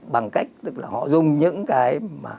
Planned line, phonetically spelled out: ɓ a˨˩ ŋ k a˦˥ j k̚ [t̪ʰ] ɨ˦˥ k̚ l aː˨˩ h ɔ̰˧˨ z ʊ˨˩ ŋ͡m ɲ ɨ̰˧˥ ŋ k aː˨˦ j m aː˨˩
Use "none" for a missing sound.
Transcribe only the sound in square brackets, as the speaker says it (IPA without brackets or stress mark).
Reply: t̪